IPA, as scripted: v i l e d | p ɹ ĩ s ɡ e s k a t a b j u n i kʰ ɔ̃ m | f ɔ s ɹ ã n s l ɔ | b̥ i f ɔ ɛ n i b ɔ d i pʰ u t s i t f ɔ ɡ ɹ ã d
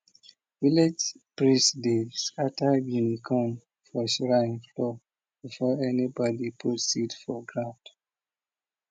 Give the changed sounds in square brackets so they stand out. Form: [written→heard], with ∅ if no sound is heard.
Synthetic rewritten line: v i l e [d→d͡ʒ] | p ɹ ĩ s [ɡ→d] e s k a t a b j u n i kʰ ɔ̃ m | f ɔ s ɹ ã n [s→f] l ɔ | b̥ i f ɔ ɛ n i b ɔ d i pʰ u t s i t f ɔ ɡ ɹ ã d